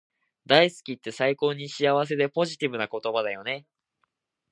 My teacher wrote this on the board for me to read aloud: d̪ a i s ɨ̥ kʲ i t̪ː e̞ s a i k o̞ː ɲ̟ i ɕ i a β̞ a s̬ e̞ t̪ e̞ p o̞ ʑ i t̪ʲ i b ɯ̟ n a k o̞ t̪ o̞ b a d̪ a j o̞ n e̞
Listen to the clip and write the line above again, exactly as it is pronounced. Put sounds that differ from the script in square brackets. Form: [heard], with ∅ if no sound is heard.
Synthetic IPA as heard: d̪ a i s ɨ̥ kʲ i t̪ː e̞ s a i k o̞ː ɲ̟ i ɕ i a β̞ a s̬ e̞ [d̪] e̞ p o̞ ʑ i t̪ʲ i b ɯ̟ n a k o̞ t̪ o̞ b a d̪ a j o̞ n e̞

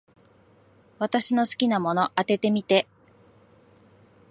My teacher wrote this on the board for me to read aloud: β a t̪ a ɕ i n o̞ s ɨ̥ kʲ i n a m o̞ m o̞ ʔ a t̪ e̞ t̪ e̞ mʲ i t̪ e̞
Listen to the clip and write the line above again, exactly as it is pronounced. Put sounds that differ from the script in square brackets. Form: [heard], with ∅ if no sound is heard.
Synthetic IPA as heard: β a t̪ a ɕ i n o̞ s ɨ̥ kʲ i n a m o̞ [n] o̞ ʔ a t̪ e̞ t̪ e̞ mʲ i t̪ e̞

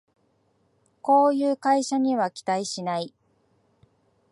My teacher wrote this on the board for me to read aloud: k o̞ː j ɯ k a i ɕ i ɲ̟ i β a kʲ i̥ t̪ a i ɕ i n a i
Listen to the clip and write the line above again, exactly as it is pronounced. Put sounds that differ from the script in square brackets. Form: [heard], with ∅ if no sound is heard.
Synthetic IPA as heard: k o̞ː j [ɯː] k a i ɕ [a] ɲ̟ i β a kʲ i̥ t̪ a i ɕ i n a i

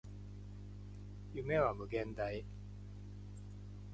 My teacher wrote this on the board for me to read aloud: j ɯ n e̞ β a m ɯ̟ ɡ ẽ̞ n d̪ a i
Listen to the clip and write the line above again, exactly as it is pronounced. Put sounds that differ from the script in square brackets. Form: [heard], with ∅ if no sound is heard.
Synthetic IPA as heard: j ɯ [m] e̞ β a m ɯ̟ ɡ ẽ̞ n d̪ a i

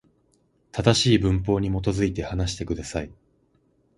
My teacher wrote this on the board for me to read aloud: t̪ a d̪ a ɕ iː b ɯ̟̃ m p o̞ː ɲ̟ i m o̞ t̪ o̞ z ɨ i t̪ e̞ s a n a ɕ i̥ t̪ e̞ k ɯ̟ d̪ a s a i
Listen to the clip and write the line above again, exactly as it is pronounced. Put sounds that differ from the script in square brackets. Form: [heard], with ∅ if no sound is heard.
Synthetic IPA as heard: t̪ a d̪ a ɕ iː b ɯ̟̃ m p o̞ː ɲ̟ i m o̞ t̪ o̞ z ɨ i t̪ e̞ [h] a n a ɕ i̥ t̪ e̞ k ɯ̟ d̪ a s a i

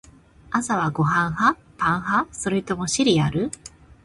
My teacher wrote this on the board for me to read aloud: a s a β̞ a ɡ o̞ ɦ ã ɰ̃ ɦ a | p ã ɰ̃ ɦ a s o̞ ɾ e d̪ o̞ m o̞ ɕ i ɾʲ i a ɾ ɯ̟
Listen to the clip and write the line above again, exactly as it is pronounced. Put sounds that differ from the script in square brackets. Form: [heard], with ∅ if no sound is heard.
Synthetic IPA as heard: a s a β̞ a ɡ o̞ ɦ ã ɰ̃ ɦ a | p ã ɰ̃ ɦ a s o̞ ɾ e [t̪] o̞ m o̞ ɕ i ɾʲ i a ɾ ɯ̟

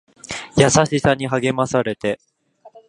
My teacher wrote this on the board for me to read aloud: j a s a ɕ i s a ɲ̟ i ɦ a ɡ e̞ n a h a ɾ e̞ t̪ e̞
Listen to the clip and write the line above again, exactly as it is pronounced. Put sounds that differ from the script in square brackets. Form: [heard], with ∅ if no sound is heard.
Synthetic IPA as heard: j a s a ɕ i s a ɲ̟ i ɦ a ɡ e̞ [m] a [s] a ɾ e̞ t̪ e̞

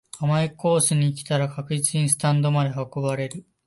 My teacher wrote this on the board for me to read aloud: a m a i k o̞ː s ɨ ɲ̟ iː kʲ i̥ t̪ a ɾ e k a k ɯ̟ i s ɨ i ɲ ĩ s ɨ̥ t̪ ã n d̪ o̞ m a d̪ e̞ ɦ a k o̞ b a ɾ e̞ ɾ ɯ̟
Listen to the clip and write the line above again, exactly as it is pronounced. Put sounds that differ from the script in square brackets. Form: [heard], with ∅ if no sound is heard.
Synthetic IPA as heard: a m a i k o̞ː s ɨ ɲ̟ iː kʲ i̥ t̪ a ɾ [a] k a k ɯ̟ i [t͡s] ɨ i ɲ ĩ s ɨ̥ t̪ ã n d̪ o̞ m a d̪ e̞ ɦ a k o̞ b a ɾ e̞ ɾ ɯ̟

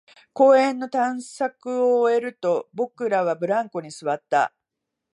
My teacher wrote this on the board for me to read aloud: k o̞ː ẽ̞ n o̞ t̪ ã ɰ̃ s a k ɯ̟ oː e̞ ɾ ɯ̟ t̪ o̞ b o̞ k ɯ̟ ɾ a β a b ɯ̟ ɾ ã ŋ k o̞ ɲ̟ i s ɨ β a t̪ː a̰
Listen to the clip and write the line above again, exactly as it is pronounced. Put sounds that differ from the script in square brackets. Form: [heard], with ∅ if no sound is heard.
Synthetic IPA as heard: k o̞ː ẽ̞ [nː] o̞ t̪ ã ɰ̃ s a k ɯ̟ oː e̞ ɾ ɯ̟ t̪ o̞ b o̞ k ɯ̟ ɾ a β a b ɯ̟ ɾ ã ŋ k o̞ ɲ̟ i s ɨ β a t̪ː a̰

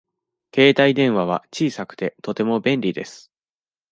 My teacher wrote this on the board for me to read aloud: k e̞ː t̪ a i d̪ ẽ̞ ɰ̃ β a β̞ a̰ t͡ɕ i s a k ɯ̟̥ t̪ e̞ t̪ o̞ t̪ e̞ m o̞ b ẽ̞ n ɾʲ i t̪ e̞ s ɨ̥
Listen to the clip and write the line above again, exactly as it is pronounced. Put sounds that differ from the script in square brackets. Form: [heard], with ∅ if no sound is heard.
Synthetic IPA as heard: k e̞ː t̪ a i d̪ ẽ̞ ɰ̃ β a β̞ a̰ t͡ɕ [iː] s a k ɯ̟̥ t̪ e̞ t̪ o̞ t̪ e̞ m o̞ b ẽ̞ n ɾʲ i [d̪] e̞ s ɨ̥

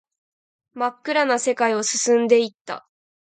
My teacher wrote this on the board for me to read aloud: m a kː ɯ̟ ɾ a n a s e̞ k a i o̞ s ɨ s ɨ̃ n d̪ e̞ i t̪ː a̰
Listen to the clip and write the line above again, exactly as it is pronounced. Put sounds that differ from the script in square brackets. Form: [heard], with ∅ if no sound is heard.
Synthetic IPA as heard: m a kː ɯ̟ ɾ a n a s e̞ k a i o̞ s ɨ s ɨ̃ n d̪ e̞ i t̪ː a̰

